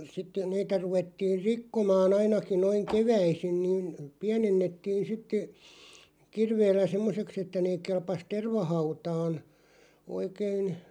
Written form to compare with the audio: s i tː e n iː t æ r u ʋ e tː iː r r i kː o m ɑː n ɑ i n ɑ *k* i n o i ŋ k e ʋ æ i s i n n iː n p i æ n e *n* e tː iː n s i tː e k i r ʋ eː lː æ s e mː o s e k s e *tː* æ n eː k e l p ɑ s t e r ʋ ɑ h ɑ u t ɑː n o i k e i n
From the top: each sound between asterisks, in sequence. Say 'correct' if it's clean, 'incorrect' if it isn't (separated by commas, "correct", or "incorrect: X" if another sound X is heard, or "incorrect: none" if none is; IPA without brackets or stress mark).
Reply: correct, incorrect: nː, correct